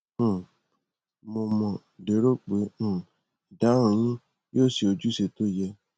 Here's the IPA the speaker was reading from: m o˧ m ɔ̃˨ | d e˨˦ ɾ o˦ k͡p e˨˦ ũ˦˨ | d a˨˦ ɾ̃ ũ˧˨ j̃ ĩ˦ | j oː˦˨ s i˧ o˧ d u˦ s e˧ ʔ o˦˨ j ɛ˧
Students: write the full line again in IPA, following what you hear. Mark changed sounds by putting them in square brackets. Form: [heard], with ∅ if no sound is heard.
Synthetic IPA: m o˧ m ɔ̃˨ | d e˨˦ ɾ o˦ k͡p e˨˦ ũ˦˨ | d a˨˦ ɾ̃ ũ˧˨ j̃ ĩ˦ | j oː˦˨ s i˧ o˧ [d͡ʒ] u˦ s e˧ [t] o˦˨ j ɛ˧